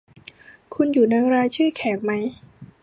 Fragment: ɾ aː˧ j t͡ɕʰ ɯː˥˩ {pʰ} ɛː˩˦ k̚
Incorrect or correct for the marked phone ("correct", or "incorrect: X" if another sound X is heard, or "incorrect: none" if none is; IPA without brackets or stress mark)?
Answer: incorrect: kʰ